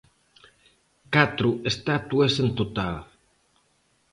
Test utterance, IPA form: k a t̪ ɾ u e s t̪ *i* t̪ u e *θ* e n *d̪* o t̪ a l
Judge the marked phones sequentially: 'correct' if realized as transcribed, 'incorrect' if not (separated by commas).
incorrect, incorrect, incorrect